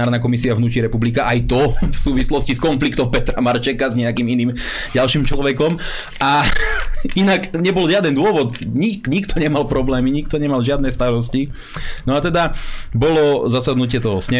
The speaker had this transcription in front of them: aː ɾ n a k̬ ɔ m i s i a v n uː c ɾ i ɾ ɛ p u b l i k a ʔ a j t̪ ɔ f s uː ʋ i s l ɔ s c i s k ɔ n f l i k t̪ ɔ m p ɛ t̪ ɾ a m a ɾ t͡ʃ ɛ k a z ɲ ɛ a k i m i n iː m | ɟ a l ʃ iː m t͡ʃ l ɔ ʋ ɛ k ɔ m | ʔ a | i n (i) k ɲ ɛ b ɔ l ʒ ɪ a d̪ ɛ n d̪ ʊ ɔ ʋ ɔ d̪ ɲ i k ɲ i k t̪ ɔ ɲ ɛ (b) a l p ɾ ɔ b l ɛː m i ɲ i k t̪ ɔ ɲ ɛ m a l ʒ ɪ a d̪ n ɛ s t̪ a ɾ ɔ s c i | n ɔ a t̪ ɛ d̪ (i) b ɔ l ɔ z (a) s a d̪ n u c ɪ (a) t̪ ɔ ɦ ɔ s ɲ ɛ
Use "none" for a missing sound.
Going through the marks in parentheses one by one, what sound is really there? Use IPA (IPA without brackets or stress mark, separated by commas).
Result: a, m, a, a, ɛ